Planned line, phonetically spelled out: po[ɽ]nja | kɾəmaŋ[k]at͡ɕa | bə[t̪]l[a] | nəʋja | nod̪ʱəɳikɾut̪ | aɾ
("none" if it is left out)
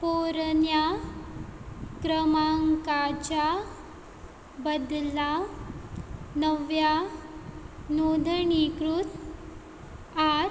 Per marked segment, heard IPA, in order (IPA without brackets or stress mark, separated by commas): ɾ, k, d̪, a